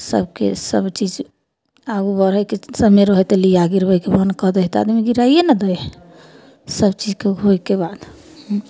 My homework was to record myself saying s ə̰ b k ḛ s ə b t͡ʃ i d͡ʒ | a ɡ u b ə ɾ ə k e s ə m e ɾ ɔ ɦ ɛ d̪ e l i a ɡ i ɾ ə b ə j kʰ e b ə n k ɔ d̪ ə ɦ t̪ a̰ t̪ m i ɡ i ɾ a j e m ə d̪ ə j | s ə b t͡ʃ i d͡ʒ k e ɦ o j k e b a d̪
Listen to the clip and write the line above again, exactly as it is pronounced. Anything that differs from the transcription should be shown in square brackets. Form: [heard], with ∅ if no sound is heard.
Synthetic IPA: s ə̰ b k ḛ s ə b t͡ʃ i d͡ʒ | a ɡ u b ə ɾ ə k e s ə m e ɾ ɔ ɦ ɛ [t̪] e l i a ɡ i ɾ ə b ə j [k] e b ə n k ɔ d̪ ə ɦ t̪ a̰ [d̪] m i ɡ i ɾ a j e [n] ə d̪ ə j | s ə b t͡ʃ i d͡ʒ k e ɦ o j k e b a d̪